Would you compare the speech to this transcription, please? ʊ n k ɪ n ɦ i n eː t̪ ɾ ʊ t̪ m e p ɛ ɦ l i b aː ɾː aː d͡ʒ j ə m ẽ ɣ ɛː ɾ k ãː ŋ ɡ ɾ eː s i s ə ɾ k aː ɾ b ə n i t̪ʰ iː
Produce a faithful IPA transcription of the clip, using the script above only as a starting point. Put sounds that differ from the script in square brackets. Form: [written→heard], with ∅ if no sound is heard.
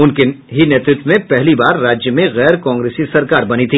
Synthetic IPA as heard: ʊ n k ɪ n ɦ i n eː t̪ ɾ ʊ t̪ m [e→ẽ] p ɛ ɦ l i b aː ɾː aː d͡ʒ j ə m ẽ ɣ ɛː ɾ k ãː ŋ ɡ ɾ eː s i s [ə→ɐ] ɾ k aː ɾ b [ə→ɐ] n i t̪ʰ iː